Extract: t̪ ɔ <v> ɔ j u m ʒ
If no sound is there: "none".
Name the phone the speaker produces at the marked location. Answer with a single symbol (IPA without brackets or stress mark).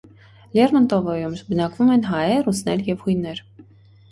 v